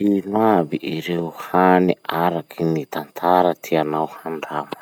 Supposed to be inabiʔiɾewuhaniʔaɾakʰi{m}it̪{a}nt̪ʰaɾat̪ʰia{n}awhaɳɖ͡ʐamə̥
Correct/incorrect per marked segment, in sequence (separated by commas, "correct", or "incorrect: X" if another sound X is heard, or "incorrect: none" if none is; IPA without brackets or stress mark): incorrect: n, correct, correct